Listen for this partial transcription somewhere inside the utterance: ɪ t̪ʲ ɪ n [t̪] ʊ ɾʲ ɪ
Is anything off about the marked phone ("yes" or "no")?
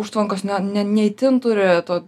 no